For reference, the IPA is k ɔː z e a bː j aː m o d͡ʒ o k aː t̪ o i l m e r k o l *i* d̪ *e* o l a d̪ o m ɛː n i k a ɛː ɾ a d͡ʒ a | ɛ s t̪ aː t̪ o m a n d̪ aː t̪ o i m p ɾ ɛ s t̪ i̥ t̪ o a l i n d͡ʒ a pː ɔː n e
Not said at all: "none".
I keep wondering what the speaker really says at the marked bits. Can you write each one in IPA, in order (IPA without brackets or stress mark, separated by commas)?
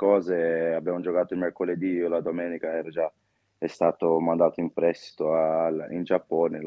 e, i